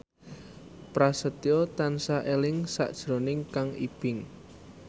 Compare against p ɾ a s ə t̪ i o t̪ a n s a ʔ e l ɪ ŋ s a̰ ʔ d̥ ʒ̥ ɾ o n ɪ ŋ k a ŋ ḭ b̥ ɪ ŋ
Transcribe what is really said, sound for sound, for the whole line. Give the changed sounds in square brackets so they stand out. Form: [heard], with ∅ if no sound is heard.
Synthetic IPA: p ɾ a s ə t̪ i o t̪ a n s a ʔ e l ɪ ŋ s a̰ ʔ d̥ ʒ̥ ɾ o n ɪ ŋ k a ŋ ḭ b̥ ɪ ŋ

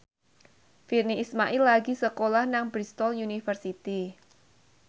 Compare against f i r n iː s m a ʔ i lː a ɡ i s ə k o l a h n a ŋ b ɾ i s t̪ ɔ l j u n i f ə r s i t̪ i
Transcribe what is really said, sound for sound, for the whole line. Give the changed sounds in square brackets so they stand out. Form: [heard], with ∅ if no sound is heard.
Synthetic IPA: f i r n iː s m a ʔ i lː a ɡ i s ə k o l a h n a ŋ b ɾ i s t̪ ɔ l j u n i f ə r s i t̪ i

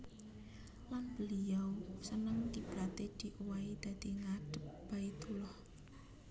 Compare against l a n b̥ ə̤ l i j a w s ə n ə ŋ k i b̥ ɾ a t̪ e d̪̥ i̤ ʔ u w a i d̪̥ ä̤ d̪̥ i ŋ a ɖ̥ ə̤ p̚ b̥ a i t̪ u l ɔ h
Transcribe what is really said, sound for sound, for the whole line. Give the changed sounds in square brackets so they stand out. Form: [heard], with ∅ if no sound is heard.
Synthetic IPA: l a n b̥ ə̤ l i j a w s ə n ə ŋ k i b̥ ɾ a t̪ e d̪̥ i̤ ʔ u w a i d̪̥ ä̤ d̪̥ i ŋ a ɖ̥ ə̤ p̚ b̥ a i t̪ u l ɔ h

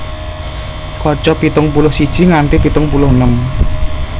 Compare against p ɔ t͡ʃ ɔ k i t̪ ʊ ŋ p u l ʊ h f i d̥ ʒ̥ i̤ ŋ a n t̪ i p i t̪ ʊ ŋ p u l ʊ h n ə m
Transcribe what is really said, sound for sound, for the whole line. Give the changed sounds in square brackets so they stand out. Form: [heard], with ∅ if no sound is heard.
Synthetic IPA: [k] ɔ t͡ʃ ɔ [p] i t̪ ʊ ŋ p u l ʊ h [s] i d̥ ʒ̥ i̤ ŋ a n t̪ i p i t̪ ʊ ŋ p u l ʊ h n ə m

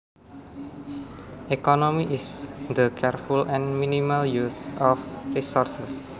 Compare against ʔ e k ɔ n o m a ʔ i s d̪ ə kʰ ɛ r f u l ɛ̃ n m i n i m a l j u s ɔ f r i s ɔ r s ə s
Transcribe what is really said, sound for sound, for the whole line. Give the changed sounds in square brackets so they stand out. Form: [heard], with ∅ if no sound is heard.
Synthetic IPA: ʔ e k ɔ n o m [i] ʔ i s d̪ ə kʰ ɛ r f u l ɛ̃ n m i n i m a l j u s ɔ f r i s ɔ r s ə s

